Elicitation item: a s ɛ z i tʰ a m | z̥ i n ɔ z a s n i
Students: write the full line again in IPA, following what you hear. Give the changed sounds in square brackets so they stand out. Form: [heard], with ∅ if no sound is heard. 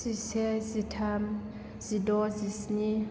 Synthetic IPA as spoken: [i] s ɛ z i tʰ a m | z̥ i [d] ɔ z [i] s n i